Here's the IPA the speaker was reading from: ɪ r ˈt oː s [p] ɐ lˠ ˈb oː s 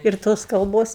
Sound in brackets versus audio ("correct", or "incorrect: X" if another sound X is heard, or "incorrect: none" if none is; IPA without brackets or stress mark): incorrect: k